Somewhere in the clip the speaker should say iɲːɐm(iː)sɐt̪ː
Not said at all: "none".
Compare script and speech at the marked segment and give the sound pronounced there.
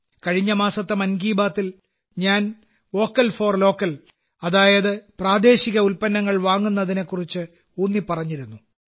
aː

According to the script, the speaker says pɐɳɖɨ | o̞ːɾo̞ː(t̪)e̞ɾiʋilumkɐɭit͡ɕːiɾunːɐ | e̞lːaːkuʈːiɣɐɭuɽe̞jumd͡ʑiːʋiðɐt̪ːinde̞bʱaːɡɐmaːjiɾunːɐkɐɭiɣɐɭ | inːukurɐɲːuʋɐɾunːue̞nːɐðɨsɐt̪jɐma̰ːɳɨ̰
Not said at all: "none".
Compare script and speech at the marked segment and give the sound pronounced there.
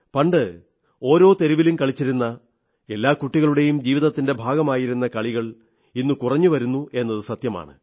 t̪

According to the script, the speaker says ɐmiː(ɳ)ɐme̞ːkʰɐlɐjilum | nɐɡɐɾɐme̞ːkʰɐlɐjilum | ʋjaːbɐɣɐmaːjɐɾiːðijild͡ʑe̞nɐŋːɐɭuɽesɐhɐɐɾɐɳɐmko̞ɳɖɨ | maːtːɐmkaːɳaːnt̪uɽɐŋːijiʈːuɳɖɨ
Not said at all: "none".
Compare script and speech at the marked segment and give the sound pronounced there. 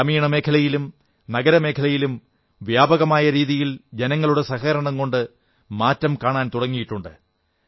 ɳ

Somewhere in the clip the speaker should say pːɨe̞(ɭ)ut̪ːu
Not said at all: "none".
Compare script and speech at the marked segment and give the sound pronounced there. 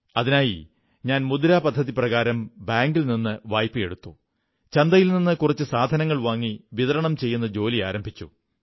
ɽ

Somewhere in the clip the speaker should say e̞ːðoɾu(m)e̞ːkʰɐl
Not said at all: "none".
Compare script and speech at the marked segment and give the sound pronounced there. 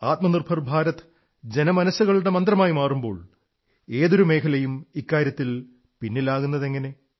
m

